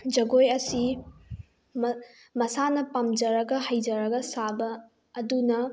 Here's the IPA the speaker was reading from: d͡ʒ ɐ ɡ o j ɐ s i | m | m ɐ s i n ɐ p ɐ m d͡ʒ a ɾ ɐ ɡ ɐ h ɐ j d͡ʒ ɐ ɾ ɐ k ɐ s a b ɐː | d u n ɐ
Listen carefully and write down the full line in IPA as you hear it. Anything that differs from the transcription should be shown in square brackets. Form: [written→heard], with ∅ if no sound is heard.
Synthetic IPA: d͡ʒ ɐ ɡ o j ɐ s i | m | m ɐ s [i→a] n ɐ p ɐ m d͡ʒ [a→ɐ] ɾ ɐ ɡ ɐ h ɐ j d͡ʒ ɐ ɾ ɐ [k→ɡ] ɐ s a b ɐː | d u n ɐ